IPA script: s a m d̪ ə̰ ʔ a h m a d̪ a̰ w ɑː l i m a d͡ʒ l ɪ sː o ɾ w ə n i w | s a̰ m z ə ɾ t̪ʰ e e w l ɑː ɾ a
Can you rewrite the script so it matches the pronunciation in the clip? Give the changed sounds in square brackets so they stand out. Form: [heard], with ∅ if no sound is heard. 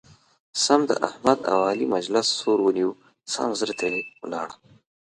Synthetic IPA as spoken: s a m d̪ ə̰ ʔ a h m a d̪ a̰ w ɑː l i m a d͡ʒ l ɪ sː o ɾ w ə n i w | s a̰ m z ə ɾ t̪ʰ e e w l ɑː [ɽ] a